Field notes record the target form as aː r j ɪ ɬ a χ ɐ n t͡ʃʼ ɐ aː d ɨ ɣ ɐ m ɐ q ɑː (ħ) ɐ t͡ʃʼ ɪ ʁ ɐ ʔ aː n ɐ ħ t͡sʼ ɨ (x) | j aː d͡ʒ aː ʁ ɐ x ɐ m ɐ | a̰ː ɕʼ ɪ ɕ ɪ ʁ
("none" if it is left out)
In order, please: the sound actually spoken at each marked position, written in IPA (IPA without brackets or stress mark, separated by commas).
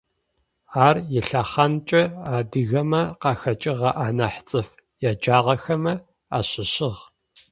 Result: x, f